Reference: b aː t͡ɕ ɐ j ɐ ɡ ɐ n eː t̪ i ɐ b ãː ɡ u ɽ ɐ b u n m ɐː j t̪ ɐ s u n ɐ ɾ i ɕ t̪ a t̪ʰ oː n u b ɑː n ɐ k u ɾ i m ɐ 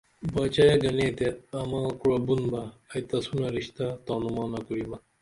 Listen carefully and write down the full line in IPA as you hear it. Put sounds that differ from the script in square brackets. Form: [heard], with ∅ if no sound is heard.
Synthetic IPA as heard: b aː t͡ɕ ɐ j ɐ ɡ ɐ n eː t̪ [e] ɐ [m] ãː [k] u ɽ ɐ b u n [b] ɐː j t̪ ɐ s u n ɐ ɾ i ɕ t̪ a [t̪] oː n u [m] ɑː n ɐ k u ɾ i m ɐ